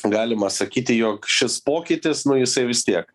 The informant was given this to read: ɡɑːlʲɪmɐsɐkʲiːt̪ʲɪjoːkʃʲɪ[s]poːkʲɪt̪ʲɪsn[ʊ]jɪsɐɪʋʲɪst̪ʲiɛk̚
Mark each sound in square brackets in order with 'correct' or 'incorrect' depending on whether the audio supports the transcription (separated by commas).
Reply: correct, correct